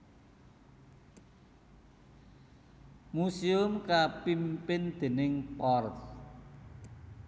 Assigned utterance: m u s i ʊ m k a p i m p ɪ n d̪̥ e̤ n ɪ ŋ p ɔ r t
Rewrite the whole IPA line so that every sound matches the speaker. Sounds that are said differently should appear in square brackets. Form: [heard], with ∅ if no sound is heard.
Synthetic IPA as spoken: m u s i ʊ m k a p i m p ɪ n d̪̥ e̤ n ɪ ŋ p ɔ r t

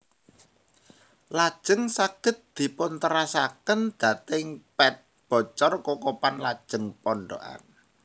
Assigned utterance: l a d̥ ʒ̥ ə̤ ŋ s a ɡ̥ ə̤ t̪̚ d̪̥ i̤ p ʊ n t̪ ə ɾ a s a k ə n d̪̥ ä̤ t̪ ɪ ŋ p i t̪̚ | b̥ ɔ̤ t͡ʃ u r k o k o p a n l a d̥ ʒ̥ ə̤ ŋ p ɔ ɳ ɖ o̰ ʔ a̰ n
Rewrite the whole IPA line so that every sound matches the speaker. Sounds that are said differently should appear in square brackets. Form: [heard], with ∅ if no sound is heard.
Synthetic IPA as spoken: l a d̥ ʒ̥ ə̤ ŋ s a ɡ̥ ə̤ t̪̚ d̪̥ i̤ p ʊ n t̪ ə ɾ a s a k ə n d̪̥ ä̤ t̪ ɪ ŋ p [ɛ] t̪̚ | b̥ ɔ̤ t͡ʃ [ɔ] r k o k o p a n l a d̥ ʒ̥ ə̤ ŋ p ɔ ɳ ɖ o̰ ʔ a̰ n

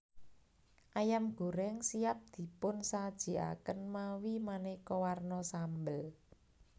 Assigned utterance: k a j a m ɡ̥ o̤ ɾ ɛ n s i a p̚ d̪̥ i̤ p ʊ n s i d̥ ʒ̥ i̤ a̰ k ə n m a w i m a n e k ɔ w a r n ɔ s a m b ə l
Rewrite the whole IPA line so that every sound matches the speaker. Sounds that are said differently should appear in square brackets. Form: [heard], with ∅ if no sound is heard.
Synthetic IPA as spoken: [ʔ] a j a m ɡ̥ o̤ ɾ ɛ [ŋ] s i a p̚ d̪̥ i̤ p ʊ n s [a] d̥ ʒ̥ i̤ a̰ k ə n m a w i m a n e k ɔ w a r n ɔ s a m b ə l

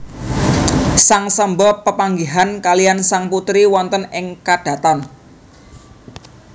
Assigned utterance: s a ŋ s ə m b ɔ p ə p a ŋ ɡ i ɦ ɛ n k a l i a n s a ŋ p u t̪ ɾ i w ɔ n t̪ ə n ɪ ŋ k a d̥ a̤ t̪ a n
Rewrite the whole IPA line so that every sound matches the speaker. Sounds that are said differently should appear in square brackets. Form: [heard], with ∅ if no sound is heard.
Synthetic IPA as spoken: s a ŋ s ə m b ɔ p ə p a ŋ ɡ i ɦ [a] n k a l i a n s a ŋ p u t̪ ɾ i w ɔ n t̪ ə n ɪ ŋ k a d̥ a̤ t̪ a n

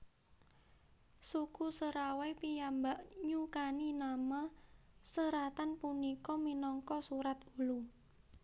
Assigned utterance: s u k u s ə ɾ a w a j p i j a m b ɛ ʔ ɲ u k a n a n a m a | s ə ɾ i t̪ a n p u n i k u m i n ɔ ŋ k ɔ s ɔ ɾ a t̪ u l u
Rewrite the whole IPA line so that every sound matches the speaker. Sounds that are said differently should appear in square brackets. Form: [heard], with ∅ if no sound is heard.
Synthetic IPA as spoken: s u k u s ə ɾ a w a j p i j a m b [a] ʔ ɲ u k a n [i] n a m a | s ə ɾ [a] t̪ a n p u n i k [ɔ] m i n ɔ ŋ k ɔ s [u] ɾ a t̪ u l u

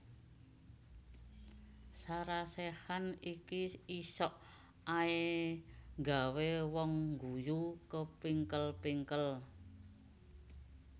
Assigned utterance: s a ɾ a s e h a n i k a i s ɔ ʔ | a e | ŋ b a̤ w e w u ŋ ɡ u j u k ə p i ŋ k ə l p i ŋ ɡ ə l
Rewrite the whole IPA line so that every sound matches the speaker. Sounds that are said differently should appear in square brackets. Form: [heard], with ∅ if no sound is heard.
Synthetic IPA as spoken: s a ɾ a s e h a n i k [i] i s ɔ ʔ | a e | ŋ [ɡ] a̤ w e w [ɔ] ŋ ɡ u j u k ə p i ŋ k ə l p i ŋ [k] ə l

